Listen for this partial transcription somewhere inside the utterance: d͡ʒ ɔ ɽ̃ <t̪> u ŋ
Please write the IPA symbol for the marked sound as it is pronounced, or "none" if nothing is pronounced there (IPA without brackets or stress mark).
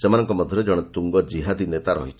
t̪